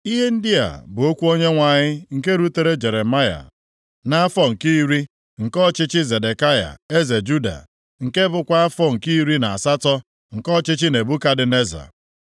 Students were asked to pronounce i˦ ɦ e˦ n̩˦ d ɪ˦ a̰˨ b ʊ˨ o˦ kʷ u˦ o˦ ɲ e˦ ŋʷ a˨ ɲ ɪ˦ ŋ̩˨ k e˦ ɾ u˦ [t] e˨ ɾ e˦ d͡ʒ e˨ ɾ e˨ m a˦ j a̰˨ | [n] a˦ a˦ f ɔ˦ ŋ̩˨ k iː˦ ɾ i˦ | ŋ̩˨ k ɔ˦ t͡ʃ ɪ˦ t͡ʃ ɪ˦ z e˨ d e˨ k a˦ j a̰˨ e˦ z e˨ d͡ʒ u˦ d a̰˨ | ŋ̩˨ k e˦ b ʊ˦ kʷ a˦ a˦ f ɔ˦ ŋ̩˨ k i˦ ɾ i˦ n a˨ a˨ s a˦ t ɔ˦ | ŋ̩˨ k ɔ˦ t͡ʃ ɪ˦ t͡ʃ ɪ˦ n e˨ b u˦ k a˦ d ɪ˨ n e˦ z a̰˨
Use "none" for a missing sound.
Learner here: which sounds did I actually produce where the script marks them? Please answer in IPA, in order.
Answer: t, n

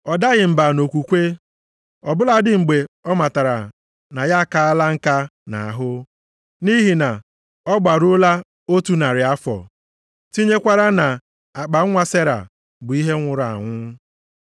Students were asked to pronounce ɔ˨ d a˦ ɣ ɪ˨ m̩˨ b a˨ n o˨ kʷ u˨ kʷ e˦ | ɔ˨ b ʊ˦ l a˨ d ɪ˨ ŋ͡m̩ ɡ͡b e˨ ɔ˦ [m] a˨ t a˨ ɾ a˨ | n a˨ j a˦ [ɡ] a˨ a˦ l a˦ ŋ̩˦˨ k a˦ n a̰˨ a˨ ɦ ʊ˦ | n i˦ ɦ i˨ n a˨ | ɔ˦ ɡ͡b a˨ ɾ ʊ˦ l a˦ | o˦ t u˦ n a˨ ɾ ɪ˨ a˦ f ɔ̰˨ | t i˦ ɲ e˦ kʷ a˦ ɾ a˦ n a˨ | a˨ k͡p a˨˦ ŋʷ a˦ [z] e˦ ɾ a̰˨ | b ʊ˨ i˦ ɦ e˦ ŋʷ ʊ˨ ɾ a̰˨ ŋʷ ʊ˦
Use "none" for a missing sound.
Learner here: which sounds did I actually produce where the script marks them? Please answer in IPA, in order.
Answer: m, k, s

